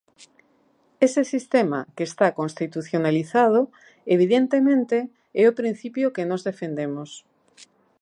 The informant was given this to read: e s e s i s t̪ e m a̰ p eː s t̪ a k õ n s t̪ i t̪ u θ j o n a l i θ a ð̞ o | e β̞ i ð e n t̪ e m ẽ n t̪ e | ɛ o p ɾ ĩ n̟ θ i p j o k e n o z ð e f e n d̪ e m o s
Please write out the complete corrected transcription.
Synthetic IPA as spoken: e s e s i s t̪ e m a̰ k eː s t̪ a k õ n s t̪ i t̪ u θ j o n a l i θ a ð̞ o | e β̞ i ð e n t̪ e m ẽ n t̪ e | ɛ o p ɾ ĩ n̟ θ i p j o k e n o z ð e f e n d̪ e m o s